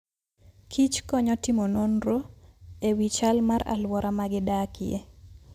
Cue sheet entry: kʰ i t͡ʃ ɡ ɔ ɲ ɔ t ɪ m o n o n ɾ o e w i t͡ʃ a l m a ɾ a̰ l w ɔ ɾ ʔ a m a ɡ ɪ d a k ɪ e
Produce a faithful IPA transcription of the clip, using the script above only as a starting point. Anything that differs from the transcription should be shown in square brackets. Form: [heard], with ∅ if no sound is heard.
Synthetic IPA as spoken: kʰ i t͡ʃ [k] ɔ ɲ ɔ t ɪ m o n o n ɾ o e w i t͡ʃ a l m a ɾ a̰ l w ɔ ɾ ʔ a m a ɡ ɪ d a k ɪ e